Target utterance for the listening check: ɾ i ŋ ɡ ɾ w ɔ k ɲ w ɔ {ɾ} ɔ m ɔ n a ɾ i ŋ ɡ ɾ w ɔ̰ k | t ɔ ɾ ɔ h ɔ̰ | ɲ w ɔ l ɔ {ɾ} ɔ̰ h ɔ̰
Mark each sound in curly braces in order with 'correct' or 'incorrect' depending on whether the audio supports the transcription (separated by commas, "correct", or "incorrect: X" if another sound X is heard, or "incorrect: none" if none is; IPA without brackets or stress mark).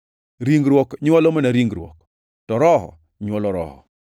incorrect: l, correct